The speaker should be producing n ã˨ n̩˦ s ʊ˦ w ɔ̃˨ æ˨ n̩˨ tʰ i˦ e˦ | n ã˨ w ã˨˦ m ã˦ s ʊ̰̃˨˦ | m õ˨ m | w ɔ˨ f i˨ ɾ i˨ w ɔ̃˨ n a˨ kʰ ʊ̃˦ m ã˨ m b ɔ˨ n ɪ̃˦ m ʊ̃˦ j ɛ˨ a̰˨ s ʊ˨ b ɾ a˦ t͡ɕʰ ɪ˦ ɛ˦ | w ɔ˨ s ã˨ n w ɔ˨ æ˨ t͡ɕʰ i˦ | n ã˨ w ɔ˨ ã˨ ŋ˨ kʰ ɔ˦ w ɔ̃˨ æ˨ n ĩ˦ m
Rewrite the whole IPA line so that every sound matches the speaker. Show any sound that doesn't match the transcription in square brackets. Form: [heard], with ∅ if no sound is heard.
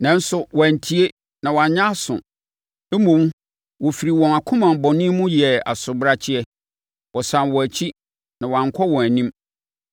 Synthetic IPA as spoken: n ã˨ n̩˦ s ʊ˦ w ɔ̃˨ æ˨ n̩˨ tʰ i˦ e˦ | n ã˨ w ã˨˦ [ɲ] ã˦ s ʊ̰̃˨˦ | m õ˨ m | w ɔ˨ f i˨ ɾ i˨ w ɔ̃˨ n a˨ kʰ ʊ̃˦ m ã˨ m b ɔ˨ n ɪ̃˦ m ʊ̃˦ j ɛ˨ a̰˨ s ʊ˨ b ɾ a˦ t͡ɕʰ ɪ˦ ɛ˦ | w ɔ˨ s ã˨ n w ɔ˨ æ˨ t͡ɕʰ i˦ | n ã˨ w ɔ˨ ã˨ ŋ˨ kʰ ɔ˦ w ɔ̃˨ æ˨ n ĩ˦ m

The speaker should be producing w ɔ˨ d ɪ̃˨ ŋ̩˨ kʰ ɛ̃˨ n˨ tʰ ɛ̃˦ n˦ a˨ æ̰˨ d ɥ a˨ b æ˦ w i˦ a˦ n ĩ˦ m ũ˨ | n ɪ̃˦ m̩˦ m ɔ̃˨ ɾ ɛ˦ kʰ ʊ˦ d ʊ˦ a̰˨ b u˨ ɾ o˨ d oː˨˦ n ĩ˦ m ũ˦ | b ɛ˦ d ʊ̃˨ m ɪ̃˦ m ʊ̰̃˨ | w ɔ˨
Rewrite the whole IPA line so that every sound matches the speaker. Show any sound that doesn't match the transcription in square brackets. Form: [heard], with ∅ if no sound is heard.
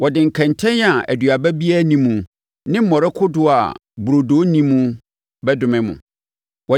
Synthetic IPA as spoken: w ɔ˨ d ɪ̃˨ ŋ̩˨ kʰ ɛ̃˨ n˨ tʰ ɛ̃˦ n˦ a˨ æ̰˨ d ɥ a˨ b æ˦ [b] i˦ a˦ n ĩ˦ m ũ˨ | n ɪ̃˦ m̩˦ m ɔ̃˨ ɾ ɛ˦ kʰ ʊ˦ d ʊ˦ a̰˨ b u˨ ɾ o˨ d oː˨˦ n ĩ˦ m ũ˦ | b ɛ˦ d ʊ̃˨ m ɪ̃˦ m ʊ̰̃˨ | w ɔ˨

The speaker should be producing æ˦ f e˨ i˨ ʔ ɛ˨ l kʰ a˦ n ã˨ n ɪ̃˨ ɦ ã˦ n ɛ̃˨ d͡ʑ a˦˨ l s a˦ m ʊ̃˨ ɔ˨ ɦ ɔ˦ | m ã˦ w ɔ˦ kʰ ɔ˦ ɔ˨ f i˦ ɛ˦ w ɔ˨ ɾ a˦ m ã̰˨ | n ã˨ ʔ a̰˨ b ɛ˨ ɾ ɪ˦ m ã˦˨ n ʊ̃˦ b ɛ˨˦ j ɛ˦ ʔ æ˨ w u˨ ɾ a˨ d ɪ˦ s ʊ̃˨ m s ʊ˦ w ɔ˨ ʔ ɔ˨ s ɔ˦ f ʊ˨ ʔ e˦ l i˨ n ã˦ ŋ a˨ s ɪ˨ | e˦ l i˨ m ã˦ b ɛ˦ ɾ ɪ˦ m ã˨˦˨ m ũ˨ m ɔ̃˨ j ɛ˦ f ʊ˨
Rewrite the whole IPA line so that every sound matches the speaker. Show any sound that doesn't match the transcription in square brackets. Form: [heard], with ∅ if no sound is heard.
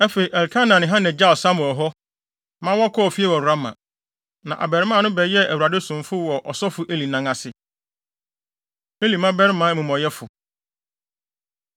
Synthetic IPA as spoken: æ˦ f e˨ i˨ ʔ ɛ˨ l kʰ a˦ n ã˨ n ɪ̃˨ ɦ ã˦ n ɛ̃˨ d͡ʑ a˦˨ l s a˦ m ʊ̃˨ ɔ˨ ɦ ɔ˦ | m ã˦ w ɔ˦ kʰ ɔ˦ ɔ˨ f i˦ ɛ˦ w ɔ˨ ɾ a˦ m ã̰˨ | n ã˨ ʔ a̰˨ b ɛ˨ ɾ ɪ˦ m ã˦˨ n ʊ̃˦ b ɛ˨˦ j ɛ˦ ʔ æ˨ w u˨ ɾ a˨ d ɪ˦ s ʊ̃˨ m [f] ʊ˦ w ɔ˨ ʔ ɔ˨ s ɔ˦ f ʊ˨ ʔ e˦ l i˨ n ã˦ ŋ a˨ s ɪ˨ | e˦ l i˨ m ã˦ b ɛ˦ ɾ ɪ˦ m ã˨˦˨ m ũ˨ m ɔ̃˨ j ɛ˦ f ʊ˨

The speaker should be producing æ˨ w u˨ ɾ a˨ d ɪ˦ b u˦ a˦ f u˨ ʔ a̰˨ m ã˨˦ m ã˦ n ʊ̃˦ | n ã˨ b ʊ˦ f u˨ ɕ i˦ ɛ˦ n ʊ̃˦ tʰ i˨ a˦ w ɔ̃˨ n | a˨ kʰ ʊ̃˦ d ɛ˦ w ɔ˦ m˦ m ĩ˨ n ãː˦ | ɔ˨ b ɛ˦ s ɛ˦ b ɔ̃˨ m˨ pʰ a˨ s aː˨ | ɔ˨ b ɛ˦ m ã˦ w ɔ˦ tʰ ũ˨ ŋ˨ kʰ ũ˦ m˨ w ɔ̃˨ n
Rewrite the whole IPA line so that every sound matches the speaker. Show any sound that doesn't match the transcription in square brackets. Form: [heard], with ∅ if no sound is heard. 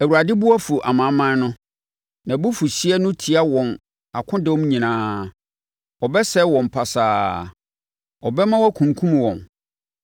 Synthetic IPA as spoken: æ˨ w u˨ ɾ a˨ d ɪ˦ b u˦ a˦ f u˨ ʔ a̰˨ m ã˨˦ m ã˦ n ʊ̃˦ | n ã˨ b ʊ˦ f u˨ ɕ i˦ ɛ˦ n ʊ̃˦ tʰ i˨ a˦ w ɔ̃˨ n | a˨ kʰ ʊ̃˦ d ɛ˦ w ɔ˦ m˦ [ɲ] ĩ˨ n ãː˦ | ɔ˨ b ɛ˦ s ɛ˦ [w] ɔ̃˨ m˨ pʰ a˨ s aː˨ | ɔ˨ b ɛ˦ m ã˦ w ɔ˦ [kʰ] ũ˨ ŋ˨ kʰ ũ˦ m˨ w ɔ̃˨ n

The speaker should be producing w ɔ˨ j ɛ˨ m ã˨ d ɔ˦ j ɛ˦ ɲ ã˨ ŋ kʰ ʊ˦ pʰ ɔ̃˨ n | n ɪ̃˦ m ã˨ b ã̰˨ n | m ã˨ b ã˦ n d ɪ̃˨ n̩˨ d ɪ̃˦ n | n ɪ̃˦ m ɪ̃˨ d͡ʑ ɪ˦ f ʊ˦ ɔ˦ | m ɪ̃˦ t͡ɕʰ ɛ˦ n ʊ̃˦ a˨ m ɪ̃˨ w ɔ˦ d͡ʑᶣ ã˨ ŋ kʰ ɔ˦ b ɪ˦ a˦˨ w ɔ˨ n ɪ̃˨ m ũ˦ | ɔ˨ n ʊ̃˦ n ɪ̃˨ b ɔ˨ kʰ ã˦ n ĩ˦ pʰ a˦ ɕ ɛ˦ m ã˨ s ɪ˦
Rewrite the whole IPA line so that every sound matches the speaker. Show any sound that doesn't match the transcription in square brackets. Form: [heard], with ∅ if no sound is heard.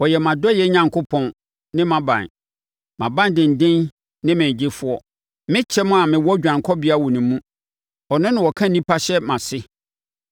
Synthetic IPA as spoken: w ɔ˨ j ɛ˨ m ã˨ d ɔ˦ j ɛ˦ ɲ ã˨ ŋ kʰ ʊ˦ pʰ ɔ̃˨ n | n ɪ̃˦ m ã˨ b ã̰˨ n | m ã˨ b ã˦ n d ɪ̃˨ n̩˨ d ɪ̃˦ n | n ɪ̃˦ m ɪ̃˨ d͡ʑ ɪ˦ f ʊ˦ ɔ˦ | m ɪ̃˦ t͡ɕʰ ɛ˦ [m] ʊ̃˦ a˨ m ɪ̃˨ w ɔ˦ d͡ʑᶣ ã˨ ŋ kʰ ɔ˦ b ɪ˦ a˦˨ w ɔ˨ n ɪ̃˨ m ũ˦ | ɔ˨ n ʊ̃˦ n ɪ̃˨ [w] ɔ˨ kʰ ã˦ n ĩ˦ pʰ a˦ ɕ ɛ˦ m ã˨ s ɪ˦

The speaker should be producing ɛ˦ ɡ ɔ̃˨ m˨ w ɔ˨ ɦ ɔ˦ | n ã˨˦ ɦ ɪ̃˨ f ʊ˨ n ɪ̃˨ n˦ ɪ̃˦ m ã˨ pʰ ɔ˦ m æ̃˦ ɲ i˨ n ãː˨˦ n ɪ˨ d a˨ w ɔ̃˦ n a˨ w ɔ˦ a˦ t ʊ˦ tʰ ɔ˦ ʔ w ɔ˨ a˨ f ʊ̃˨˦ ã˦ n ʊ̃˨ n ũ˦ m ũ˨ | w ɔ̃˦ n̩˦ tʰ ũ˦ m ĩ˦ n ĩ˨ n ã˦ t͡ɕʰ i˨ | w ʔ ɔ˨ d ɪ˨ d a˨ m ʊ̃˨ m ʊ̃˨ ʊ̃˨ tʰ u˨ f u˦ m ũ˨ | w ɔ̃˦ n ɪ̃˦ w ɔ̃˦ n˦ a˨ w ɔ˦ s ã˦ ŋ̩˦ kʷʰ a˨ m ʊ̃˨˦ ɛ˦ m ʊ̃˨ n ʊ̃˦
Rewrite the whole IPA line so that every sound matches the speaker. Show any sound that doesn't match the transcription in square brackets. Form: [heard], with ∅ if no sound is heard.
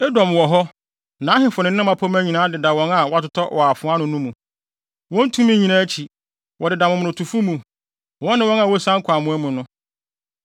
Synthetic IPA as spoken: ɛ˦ [d] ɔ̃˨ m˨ w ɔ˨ ɦ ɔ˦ | n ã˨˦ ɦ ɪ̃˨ f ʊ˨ n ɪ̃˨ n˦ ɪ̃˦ m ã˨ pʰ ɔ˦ m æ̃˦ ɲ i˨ n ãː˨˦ [d] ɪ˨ d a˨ w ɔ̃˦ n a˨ w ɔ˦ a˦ t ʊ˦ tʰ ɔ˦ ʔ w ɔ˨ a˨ f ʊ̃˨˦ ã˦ n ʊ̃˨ n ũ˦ m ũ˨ | w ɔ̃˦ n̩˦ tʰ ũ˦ m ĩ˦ [ɲ] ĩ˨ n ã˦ t͡ɕʰ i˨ | w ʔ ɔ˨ d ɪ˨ d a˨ m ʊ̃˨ m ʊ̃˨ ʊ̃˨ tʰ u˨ f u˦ m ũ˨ | w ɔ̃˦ n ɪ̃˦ w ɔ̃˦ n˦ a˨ w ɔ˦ s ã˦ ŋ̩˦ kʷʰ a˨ m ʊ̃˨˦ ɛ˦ m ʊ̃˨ n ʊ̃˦

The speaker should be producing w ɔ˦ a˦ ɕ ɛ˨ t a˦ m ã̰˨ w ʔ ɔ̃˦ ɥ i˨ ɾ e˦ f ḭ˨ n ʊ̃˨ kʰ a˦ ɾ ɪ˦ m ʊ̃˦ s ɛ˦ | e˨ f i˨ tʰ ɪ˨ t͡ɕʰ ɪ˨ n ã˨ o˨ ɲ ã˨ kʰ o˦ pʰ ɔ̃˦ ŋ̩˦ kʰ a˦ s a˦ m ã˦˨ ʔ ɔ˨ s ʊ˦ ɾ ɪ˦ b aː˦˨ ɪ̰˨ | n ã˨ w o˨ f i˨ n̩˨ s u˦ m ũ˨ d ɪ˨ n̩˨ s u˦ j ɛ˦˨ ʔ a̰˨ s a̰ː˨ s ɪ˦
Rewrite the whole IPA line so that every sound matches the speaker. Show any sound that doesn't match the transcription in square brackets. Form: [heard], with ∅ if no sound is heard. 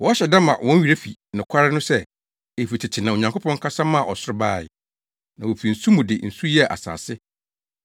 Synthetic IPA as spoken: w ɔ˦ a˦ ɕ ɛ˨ [d] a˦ m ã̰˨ w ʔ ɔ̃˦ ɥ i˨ ɾ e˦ f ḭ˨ n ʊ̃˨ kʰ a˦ ɾ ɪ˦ [n] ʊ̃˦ s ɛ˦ | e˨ f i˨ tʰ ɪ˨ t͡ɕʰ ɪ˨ n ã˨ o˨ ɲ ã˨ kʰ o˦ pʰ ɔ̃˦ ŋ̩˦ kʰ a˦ s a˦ m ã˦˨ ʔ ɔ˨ s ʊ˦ ɾ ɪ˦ b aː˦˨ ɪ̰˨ | n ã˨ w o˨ f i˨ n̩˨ s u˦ m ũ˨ d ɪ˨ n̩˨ s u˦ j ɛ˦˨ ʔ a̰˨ s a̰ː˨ s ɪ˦

